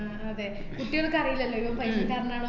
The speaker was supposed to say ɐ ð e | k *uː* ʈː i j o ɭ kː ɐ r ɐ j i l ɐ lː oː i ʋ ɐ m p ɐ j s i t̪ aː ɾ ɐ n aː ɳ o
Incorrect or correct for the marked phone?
incorrect: u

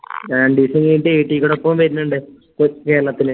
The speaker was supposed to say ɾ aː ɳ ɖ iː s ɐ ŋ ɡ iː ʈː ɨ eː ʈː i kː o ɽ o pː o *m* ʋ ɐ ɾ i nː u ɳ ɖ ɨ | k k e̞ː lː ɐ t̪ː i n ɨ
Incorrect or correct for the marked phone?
correct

